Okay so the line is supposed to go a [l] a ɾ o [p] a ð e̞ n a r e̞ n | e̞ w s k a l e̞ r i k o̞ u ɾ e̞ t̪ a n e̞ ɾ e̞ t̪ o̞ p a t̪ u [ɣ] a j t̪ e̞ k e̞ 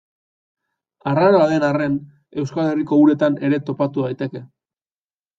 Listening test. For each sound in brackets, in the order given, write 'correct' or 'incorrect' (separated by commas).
incorrect, incorrect, incorrect